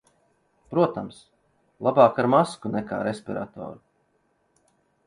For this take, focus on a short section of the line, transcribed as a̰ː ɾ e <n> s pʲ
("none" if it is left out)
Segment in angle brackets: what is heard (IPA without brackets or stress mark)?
none